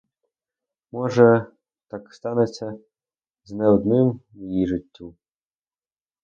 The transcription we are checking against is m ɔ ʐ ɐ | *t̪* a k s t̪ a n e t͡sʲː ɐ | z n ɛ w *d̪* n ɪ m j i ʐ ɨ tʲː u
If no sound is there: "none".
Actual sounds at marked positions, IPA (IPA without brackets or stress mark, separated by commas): t̪, d̪